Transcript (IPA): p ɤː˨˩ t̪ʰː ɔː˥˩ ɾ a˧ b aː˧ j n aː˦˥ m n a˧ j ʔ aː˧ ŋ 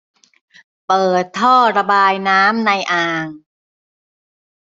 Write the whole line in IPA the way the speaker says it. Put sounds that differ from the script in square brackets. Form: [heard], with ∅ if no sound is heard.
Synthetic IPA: p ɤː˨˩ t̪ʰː ɔː˥˩ ɾ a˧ b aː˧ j n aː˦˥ m n a˧ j ʔ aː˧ ŋ